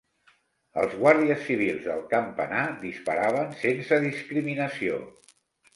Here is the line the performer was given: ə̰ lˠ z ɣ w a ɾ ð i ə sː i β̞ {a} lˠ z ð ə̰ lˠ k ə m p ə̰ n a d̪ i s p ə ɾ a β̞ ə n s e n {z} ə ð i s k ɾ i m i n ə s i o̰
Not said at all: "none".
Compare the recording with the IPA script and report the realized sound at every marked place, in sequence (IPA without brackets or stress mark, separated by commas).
i, s